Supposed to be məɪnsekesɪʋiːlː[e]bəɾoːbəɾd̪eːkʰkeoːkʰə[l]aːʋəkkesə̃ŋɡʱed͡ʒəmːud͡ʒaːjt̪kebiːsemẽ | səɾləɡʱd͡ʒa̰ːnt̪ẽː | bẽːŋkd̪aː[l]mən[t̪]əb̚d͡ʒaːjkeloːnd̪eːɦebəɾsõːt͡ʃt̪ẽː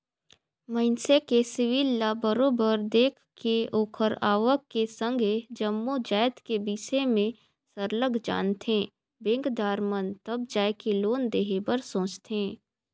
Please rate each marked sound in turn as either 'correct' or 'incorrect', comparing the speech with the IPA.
incorrect: a, incorrect: ɾ, incorrect: ɾ, correct

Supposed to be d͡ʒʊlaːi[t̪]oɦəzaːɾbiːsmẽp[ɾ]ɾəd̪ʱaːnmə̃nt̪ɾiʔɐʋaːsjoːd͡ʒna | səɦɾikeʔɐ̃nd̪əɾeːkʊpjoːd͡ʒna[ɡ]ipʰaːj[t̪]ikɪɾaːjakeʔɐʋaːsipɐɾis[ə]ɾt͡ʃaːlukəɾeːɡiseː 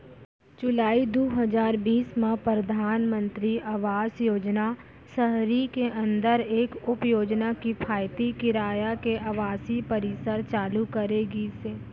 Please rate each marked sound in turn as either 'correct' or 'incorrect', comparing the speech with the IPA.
incorrect: d̪, correct, incorrect: k, correct, correct

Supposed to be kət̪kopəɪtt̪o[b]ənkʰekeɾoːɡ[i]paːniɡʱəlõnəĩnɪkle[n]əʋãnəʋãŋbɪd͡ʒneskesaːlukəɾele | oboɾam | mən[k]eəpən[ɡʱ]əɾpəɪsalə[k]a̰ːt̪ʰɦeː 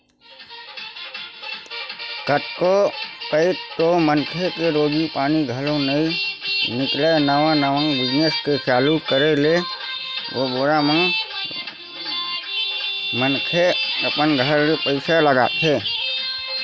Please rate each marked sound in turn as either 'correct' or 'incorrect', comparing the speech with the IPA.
incorrect: m, correct, correct, incorrect: kʰ, correct, incorrect: ɡ

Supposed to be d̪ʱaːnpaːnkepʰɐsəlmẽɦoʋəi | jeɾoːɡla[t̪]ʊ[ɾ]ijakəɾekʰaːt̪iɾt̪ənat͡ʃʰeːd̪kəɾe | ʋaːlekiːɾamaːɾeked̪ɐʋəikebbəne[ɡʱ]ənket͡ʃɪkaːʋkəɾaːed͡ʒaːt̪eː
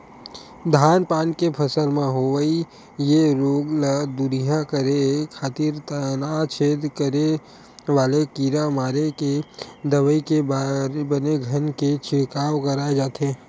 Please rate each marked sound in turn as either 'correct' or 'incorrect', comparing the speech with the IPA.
incorrect: d̪, correct, correct

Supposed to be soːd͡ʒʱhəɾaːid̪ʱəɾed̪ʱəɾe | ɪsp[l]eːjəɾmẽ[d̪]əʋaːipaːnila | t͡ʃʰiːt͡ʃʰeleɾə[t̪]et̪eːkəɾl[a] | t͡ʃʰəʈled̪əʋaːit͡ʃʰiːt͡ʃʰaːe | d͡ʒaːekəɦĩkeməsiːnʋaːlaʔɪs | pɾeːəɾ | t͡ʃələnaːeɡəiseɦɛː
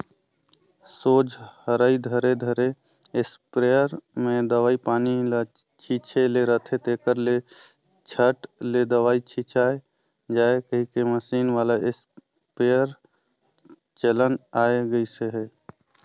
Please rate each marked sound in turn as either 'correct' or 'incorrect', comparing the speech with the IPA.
incorrect: ɾ, correct, incorrect: t̪ʰ, incorrect: e

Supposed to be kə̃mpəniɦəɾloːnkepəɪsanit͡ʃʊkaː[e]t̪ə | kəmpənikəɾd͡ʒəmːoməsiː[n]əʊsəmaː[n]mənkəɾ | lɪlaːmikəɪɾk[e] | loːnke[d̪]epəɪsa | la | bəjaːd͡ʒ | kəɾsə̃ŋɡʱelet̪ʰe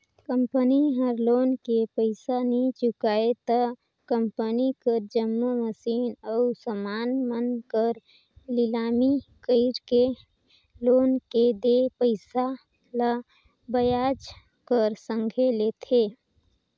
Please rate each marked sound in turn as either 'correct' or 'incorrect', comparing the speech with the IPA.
correct, correct, correct, correct, correct

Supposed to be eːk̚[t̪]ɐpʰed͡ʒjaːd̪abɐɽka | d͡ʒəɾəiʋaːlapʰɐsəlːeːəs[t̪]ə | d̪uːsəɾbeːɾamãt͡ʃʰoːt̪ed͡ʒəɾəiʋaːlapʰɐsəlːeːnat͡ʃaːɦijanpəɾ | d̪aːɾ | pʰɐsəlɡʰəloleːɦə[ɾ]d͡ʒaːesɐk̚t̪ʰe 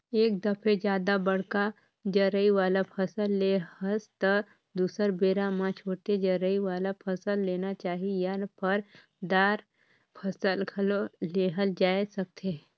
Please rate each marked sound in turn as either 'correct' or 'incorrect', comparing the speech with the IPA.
incorrect: d̪, correct, incorrect: l

